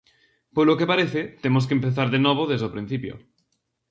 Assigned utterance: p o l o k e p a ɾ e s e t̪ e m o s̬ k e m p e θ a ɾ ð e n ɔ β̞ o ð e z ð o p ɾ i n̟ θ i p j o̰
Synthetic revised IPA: p o l o k e p a ɾ e θ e t̪ e m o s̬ k e m p e θ a ɾ ð e n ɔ β̞ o ð e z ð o p ɾ i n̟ θ i p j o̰